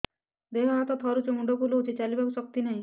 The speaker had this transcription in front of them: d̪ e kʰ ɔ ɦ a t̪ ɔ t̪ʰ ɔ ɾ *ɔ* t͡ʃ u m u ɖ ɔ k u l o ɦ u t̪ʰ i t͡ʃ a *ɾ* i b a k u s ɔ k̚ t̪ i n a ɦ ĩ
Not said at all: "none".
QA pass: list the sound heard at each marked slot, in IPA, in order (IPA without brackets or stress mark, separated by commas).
u, l